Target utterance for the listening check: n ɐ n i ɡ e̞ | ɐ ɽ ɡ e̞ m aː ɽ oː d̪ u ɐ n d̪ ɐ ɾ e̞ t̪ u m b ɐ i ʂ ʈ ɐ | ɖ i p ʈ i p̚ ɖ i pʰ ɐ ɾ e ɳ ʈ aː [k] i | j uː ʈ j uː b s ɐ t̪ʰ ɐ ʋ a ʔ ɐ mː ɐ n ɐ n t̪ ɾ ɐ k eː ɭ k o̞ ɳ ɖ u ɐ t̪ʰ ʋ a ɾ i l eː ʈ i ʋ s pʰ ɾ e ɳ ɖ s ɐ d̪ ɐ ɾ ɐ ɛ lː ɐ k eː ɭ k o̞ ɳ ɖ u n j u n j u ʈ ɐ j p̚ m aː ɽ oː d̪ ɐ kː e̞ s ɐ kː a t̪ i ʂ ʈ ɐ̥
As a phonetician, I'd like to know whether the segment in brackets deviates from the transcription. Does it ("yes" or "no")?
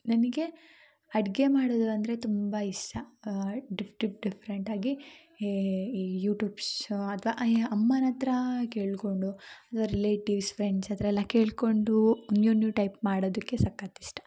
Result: yes